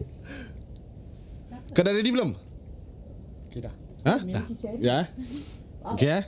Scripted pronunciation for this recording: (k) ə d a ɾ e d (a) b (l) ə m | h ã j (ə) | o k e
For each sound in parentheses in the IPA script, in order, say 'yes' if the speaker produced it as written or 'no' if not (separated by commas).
yes, no, yes, no